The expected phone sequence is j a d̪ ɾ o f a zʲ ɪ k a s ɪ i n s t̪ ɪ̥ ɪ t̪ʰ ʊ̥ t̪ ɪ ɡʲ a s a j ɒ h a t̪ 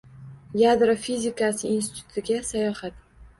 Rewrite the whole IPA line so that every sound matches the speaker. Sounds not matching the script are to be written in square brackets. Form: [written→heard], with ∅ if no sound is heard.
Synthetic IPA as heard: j a d̪ ɾ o f [a→i] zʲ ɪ k a s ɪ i n s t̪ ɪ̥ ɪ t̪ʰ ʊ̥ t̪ ɪ ɡʲ a s a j ɒ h a t̪